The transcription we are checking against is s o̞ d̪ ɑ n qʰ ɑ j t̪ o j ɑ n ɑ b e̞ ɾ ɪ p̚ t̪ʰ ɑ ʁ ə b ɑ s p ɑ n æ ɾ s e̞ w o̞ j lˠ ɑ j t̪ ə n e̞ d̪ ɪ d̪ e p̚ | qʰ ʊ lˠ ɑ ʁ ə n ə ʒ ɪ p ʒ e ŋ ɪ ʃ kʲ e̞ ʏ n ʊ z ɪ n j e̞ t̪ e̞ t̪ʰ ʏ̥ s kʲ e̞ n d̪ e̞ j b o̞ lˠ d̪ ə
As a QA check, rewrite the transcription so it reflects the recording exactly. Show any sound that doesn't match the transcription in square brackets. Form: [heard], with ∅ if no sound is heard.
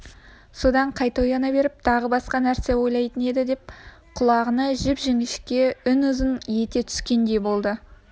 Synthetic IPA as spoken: s o̞ d̪ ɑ [ɴ] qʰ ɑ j t̪ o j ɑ n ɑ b e̞ ɾ ɪ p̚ t̪ʰ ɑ ʁ ə b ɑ s [q] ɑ n æ ɾ s e̞ w o̞ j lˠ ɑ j t̪ ə n e̞ d̪ ɪ d̪ e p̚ | qʰ ʊ lˠ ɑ ʁ ə n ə ʒ ɪ p ʒ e ŋ ɪ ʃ kʲ e̞ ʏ n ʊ z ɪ n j e̞ t̪ e̞ t̪ʰ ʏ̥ s kʲ e̞ n d̪ e̞ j b o̞ lˠ d̪ ə